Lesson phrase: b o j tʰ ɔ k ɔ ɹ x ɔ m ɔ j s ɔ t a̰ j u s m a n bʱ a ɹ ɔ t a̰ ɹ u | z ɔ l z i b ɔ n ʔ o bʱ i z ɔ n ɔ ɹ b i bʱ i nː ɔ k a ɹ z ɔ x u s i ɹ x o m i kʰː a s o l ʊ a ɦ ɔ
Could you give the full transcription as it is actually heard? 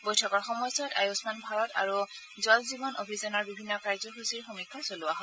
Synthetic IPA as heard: b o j tʰ ɔ k ɔ ɹ x ɔ m ɔ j s ɔ t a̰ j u s m a n bʱ a ɹ ɔ t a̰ ɹ u | z ɔ l z i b ɔ n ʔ o bʱ i z ɔ n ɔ ɹ b i bʱ i nː ɔ k a ɹ z ɔ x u s i ɹ x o m i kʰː a s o l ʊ a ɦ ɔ